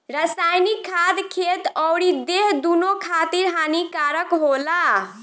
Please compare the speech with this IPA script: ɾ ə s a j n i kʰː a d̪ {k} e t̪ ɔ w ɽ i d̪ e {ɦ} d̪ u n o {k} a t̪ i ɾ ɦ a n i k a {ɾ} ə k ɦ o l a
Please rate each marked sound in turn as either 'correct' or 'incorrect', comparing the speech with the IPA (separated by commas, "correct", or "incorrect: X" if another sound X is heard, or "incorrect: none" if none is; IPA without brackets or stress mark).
incorrect: kʰ, correct, incorrect: kʰ, correct